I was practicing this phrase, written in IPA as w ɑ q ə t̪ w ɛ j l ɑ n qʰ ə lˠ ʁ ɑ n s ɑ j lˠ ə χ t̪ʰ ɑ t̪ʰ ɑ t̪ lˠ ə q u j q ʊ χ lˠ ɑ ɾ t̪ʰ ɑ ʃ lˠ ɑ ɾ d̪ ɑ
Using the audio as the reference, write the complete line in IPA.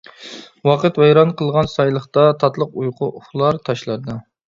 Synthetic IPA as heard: w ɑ q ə t̪ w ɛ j ɾ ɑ n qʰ ə lˠ ʁ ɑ n s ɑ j lˠ ə χ t̪ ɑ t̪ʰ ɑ t̪ lˠ ə q u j q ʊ χ lˠ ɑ ɾ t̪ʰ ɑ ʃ lˠ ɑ ɾ d̪ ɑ